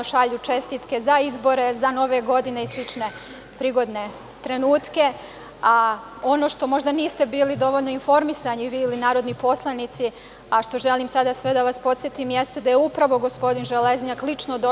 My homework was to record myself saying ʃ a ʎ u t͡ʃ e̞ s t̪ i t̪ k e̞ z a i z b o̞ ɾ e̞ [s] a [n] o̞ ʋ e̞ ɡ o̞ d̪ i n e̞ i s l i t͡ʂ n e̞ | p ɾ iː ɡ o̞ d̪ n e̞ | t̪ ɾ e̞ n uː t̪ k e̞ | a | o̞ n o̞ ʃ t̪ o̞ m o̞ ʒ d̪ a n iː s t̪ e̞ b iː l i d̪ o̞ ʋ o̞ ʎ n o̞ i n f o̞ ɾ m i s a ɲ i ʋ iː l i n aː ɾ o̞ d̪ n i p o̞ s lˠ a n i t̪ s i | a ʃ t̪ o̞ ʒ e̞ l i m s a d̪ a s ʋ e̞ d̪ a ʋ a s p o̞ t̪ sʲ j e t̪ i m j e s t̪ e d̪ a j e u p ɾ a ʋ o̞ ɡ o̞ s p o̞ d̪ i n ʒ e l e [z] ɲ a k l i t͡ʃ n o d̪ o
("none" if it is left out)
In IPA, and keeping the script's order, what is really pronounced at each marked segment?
z, n, z

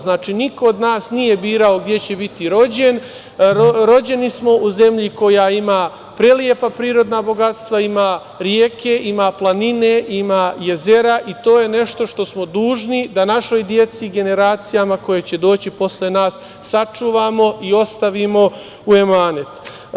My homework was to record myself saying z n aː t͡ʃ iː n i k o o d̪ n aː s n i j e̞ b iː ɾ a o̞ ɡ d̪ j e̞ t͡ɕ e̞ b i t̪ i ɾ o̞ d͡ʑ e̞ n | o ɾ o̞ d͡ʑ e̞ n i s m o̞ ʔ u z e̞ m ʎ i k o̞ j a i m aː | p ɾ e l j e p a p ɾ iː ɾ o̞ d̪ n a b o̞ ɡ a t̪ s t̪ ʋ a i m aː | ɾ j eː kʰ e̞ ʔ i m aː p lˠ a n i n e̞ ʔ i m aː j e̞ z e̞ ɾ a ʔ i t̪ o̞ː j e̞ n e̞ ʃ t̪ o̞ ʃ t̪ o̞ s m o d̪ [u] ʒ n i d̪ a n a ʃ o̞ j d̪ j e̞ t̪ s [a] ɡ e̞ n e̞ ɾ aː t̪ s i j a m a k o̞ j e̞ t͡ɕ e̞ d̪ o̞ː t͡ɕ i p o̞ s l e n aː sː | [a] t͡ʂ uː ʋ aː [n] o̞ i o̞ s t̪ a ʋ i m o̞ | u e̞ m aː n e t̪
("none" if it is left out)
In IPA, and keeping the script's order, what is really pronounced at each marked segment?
uː, i, a, m

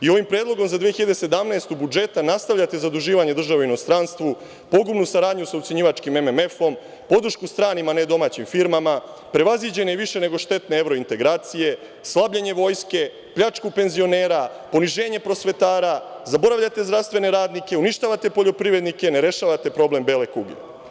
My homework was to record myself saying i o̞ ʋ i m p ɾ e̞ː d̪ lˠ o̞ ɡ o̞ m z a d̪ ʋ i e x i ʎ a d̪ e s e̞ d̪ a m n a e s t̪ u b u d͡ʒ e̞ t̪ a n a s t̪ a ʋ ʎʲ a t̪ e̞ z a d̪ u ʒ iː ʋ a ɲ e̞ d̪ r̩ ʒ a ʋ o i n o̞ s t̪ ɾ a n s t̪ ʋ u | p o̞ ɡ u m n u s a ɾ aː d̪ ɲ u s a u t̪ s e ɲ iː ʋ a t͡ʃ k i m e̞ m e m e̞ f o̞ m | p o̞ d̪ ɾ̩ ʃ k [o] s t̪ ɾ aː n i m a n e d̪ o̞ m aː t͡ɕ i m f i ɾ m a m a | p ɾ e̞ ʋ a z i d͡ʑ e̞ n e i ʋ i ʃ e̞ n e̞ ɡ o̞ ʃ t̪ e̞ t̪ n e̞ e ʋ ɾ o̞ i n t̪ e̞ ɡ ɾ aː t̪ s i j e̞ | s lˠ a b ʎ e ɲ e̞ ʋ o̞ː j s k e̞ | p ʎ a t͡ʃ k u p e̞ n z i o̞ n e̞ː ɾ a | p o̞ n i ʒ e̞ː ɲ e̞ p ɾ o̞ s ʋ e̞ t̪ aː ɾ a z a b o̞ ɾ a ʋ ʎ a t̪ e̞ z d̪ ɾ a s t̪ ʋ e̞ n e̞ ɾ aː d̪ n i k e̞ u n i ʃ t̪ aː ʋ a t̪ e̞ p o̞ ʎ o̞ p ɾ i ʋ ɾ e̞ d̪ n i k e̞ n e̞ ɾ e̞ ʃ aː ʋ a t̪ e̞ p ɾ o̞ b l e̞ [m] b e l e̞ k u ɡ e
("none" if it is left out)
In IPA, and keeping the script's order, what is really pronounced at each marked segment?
u, m

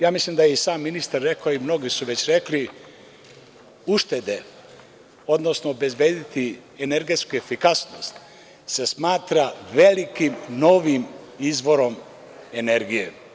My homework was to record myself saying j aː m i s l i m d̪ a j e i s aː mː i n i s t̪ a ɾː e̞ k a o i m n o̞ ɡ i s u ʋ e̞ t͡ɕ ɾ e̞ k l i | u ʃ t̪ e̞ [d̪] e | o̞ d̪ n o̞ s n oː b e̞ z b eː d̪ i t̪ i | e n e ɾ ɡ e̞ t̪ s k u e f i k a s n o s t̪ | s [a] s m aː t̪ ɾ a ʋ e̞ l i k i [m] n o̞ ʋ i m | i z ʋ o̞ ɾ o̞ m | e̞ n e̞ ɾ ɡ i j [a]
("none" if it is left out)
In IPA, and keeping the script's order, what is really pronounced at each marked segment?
d̪, e, m, e

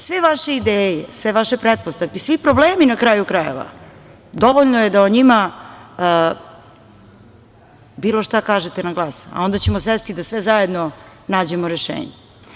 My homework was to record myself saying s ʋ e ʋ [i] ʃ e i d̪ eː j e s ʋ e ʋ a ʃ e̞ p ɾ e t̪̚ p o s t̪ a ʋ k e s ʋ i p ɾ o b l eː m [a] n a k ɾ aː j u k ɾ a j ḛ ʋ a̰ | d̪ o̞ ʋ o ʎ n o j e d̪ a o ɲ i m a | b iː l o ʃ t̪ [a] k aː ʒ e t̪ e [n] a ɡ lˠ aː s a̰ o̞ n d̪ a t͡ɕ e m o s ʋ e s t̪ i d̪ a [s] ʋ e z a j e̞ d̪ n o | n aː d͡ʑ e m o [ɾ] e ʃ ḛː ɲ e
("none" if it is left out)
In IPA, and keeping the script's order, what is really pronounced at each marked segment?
a, i, a, n, s, ɾ

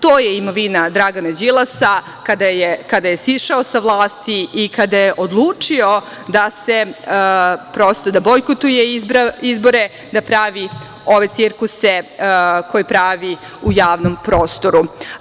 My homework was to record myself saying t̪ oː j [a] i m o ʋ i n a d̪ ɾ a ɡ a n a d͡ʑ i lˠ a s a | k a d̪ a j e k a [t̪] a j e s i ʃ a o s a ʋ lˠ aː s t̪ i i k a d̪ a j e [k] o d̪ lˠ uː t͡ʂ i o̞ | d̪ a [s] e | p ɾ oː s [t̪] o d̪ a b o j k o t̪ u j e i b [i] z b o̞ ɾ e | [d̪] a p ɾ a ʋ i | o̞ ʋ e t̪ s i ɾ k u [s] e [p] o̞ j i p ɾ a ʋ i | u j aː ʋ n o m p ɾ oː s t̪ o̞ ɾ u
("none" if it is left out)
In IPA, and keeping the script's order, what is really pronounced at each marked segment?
e, d̪, ʔ, s, t̪, i, d̪, s, k

